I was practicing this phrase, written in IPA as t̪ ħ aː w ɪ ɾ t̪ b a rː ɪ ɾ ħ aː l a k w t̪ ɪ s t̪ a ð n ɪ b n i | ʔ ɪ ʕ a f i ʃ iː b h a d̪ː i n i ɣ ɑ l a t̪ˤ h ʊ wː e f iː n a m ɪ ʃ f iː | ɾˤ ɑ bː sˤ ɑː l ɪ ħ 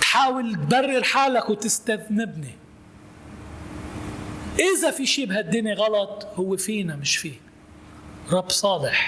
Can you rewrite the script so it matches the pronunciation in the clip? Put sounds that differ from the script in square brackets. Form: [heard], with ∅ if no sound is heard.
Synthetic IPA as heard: t̪ ħ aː w ɪ [l] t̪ b a rː ɪ ɾ ħ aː l a k w t̪ ɪ s t̪ a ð n ɪ b n i | ʔ ɪ [z] a f i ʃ iː b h a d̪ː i n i ɣ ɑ l [ɑ] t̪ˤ h ʊ wː e f iː n a m ɪ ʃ f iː | ɾˤ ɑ bː sˤ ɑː l ɪ ħ

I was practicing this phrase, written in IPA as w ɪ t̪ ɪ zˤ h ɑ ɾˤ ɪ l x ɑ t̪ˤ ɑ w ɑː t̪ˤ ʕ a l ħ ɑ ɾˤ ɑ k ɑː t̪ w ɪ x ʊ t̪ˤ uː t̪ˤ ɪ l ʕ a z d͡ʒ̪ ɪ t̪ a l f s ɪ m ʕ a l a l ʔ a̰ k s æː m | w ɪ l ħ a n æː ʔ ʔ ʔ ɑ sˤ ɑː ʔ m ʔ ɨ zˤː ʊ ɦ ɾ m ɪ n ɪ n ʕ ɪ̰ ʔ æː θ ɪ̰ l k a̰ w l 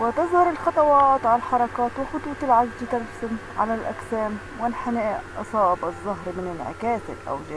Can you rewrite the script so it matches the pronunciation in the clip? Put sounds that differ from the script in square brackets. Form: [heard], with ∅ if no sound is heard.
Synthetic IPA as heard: w ɪ t̪ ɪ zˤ h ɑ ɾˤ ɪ l x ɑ t̪ˤ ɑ w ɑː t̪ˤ ʕ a l ħ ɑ ɾˤ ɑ k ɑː t̪ w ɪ x ʊ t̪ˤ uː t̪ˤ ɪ l ʕ a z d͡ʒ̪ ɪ t̪ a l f s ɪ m ʕ a l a l ʔ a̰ k s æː m | w ɪ l ħ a n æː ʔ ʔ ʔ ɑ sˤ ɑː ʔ [b] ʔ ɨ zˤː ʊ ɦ ɾ m ɪ n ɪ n ʕ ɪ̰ [k] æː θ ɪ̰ l [ʔ] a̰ w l

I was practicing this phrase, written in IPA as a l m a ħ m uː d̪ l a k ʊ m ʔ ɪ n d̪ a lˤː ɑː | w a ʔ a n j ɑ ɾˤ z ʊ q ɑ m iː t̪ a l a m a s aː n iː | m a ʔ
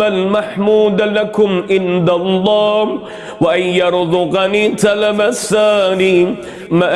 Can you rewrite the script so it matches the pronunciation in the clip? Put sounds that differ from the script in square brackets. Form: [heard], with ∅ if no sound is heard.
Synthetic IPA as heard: a l m a ħ m uː d̪ l a k ʊ m ʔ ɪ n d̪ a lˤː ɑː | w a ʔ a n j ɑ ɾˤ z ʊ q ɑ [n] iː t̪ a l a m a s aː n iː | m a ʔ

